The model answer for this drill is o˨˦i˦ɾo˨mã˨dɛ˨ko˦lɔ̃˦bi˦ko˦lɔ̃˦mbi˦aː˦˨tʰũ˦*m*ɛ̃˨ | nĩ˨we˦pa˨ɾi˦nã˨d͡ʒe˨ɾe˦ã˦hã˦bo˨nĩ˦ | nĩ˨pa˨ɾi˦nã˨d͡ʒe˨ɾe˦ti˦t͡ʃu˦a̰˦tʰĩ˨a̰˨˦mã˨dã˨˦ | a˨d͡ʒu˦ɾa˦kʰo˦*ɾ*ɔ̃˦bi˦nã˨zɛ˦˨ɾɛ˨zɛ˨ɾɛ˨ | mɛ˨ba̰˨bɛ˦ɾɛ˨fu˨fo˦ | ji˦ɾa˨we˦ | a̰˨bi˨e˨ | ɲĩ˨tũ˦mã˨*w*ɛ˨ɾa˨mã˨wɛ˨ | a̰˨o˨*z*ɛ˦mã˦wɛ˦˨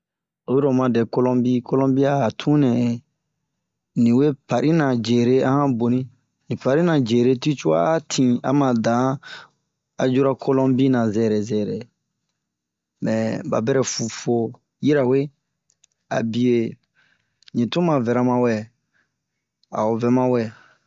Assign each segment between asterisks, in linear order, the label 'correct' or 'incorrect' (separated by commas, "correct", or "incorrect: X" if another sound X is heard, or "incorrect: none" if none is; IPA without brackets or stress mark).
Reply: incorrect: n, incorrect: l, incorrect: v, incorrect: v